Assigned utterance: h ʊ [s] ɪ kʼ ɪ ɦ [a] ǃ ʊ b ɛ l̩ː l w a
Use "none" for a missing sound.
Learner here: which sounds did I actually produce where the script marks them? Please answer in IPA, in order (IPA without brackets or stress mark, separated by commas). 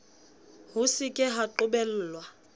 s, a